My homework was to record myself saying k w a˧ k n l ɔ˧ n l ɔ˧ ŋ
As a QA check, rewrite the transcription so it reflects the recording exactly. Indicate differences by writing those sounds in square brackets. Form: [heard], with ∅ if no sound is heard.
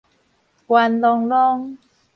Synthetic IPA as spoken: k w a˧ [∅] n l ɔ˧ [ŋ] l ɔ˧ ŋ